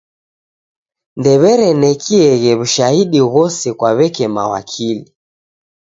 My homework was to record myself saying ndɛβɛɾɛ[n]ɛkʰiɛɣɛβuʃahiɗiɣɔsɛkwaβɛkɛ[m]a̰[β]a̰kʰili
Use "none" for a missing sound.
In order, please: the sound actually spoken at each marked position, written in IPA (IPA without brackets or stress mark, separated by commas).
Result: n, m, w